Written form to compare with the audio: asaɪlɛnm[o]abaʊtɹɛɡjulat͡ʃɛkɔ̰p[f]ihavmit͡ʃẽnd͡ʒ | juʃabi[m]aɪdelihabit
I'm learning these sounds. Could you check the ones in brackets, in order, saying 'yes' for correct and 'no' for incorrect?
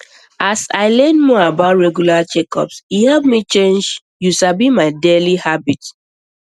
no, no, yes

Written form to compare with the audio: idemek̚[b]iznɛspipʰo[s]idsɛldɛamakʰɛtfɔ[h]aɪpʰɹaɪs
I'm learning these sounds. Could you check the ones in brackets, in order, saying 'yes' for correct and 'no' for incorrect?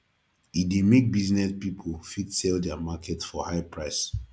yes, no, yes

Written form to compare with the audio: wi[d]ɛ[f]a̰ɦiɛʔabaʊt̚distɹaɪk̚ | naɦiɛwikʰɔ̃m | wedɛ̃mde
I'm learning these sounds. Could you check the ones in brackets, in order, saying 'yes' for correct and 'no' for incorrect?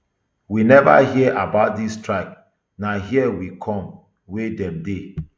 no, no

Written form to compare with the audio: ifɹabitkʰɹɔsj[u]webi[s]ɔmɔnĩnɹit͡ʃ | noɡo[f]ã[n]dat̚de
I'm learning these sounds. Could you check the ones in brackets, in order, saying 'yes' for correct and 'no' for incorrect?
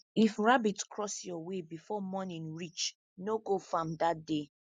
no, no, yes, no

